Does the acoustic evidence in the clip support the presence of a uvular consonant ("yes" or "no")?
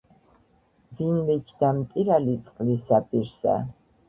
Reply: yes